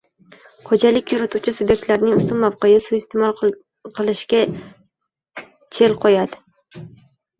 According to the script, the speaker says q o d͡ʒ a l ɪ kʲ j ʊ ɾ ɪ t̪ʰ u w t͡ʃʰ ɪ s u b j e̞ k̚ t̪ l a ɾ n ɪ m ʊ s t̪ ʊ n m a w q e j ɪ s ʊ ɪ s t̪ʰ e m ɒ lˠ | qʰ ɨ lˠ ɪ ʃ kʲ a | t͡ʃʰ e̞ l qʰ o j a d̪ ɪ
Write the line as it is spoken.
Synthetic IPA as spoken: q o d͡ʒ a l ɪ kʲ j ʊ ɾ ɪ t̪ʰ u w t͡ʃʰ ɪ s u b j e̞ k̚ t̪ l a ɾ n ɪ ŋ ʊ s t̪ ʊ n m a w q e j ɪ s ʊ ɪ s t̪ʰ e m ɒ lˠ | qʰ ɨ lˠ ɪ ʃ kʲ a | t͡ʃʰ e̞ l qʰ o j a d̪ ɪ